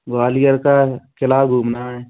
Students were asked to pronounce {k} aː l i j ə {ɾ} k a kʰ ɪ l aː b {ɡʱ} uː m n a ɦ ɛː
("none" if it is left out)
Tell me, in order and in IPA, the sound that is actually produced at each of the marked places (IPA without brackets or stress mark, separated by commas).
ɡ, ɾ, ɡʱ